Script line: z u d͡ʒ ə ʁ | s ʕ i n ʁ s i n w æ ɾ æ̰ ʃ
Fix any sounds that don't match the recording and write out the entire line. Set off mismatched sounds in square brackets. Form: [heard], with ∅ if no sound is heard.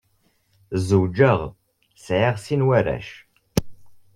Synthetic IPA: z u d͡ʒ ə ʁ | s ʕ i [∅] ʁ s i n w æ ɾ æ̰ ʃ